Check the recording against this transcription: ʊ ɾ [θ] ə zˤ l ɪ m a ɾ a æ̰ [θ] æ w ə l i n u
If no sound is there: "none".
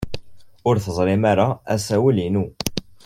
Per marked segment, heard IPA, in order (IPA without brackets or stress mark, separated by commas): θ, s